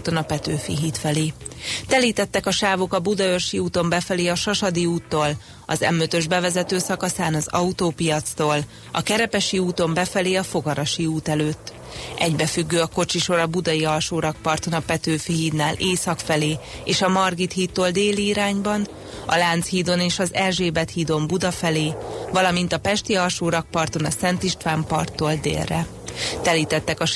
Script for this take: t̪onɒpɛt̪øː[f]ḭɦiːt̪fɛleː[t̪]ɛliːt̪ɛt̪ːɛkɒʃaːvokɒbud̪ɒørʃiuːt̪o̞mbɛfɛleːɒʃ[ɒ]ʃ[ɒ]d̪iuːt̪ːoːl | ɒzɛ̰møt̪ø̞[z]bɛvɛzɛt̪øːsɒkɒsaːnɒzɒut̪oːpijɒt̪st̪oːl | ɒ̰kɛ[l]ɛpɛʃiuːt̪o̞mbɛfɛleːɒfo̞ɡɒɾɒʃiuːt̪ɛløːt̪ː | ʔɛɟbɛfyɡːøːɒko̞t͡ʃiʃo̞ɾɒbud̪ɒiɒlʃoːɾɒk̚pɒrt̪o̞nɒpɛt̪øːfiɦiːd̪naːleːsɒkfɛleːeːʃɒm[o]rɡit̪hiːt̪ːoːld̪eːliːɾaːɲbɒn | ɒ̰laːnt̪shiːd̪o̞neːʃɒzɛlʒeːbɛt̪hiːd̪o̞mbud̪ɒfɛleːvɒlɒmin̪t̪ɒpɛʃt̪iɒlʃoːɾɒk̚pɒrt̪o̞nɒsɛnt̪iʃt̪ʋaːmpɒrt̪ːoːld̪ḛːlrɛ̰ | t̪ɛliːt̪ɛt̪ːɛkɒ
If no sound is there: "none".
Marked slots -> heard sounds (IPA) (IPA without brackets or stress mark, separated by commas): f, t̪, ɒ, ɒ, ʒ, ɾ, ɒ